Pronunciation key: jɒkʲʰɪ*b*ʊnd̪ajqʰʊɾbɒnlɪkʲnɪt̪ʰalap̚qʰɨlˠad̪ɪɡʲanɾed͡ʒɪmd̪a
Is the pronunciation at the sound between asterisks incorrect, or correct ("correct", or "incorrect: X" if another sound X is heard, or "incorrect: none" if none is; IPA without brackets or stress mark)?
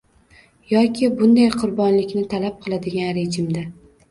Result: correct